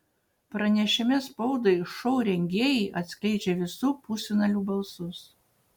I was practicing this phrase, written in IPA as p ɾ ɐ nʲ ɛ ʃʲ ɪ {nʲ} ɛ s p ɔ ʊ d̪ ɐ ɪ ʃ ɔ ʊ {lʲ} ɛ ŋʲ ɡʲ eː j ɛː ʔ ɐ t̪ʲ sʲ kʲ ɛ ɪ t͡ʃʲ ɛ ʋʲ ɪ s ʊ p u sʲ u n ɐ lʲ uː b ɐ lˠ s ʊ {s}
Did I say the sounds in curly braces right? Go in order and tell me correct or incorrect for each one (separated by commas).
incorrect, incorrect, correct